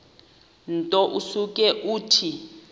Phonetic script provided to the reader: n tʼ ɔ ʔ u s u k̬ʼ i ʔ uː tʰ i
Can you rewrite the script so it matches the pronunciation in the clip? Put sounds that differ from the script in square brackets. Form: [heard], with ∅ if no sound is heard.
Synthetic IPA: n tʼ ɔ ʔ u s u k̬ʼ [ɛ] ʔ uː tʰ i